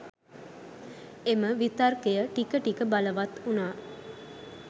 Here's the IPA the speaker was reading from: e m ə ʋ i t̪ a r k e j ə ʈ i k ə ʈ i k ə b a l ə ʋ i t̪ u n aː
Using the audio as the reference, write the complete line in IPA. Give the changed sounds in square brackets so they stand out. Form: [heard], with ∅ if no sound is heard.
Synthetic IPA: e m ə ʋ i t̪ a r k e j ə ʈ i k ə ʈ i k ə b a l ə ʋ [a] t̪ u n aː